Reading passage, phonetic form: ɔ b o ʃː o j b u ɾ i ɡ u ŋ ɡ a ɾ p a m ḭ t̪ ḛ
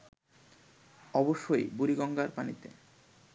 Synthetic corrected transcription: ɔ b o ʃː o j b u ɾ i ɡ ɔ ŋ ɡ a ɾ p a n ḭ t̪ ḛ